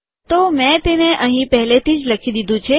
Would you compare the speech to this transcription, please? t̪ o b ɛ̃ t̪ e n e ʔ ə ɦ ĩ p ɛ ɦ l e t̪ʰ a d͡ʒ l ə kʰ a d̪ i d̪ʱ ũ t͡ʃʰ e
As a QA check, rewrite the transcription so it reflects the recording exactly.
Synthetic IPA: t̪ o m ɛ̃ t̪ e n e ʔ ə ɦ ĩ p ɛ ɦ l e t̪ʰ i d͡ʒ l ə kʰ i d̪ i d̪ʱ ũ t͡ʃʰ e